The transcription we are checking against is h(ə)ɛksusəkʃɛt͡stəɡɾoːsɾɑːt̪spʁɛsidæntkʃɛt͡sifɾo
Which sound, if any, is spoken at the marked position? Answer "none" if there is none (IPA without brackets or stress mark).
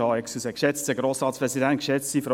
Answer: ɑ